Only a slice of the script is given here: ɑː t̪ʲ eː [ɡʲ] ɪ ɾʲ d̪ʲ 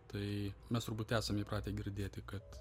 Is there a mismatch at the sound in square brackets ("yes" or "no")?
no